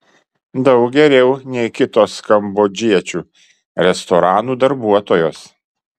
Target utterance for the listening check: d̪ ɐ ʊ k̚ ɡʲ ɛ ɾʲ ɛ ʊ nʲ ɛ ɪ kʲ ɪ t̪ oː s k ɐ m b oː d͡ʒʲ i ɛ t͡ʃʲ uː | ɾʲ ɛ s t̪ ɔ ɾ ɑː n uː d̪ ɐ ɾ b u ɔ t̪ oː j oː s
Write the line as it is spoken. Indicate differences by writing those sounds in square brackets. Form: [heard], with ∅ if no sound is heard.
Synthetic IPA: d̪ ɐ ʊ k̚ ɡʲ ɛ ɾʲ ɛ ʊ nʲ ɛ ɪ kʲ ɪ t̪ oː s k ɐ m b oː d͡ʒʲ i ɛ t͡ʃʲ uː | ɾʲ ɛ s t̪ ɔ ɾ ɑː n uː d̪ ɐ ɾ b u ɔ t̪ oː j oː s